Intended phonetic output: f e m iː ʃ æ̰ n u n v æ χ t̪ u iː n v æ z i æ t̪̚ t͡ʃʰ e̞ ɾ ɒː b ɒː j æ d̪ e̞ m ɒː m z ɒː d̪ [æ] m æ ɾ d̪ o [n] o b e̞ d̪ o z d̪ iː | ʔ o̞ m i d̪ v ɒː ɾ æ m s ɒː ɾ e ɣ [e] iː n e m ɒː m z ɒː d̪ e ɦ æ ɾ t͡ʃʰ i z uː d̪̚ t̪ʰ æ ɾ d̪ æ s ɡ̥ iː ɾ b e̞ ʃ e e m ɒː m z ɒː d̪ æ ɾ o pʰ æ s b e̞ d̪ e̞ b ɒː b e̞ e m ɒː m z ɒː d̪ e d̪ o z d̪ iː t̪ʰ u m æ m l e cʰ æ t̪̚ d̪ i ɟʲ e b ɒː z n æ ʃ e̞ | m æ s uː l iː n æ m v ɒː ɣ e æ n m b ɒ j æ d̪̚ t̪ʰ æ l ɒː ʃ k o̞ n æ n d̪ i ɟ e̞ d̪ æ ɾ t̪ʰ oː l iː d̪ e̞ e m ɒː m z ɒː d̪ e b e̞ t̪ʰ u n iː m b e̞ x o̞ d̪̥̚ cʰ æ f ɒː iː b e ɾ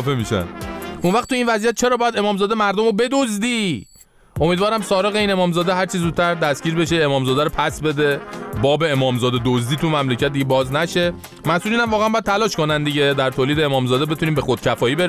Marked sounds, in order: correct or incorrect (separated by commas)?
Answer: incorrect, incorrect, correct